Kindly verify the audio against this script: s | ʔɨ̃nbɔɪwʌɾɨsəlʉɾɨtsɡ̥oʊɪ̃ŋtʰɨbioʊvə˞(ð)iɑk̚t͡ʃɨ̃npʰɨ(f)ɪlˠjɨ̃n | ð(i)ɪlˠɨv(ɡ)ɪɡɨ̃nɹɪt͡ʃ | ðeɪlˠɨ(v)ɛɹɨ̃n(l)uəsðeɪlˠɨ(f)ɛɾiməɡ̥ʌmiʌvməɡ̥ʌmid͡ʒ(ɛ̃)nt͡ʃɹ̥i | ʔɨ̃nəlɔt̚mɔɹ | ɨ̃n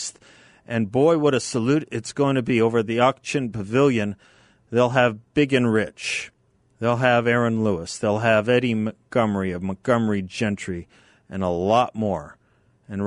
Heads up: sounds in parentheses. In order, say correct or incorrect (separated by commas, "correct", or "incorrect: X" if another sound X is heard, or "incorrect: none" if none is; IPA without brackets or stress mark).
correct, incorrect: v, incorrect: e, incorrect: b, correct, correct, incorrect: v, correct